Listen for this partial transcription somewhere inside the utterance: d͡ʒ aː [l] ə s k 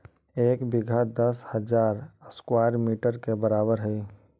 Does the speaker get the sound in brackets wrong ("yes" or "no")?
yes